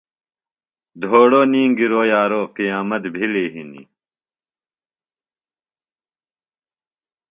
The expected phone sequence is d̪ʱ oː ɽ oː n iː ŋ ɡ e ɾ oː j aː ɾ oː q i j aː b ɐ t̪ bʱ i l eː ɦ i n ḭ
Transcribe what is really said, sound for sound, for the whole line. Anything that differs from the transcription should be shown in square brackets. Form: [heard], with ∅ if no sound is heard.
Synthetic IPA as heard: d̪ʱ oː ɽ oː n iː ŋ ɡ [i] ɾ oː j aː ɾ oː q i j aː [m] ɐ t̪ bʱ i l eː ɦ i n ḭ